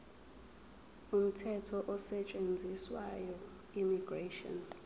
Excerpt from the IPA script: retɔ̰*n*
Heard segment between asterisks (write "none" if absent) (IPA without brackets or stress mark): n